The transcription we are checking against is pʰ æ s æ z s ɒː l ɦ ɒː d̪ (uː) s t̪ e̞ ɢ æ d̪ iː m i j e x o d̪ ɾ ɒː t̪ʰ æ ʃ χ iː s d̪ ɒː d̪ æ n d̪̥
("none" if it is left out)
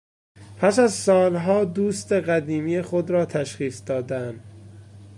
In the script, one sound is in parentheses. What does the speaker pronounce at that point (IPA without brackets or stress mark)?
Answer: uː